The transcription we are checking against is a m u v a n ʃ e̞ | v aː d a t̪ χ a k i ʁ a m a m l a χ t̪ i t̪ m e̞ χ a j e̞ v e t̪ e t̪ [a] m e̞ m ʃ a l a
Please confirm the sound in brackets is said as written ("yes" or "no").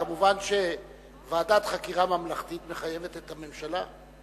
yes